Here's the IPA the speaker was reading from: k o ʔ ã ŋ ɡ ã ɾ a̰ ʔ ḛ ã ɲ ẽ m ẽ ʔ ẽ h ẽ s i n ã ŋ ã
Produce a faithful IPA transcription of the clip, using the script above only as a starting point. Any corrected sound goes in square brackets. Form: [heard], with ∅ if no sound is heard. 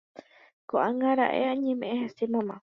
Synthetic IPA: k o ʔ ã ŋ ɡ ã ɾ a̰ ʔ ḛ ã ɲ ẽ m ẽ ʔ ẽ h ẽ s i [m] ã [m] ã